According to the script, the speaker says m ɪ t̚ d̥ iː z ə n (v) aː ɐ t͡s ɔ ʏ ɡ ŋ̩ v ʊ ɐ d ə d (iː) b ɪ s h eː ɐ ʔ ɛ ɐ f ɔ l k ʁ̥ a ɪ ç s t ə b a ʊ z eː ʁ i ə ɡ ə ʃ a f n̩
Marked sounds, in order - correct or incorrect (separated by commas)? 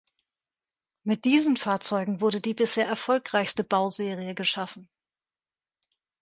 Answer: incorrect, correct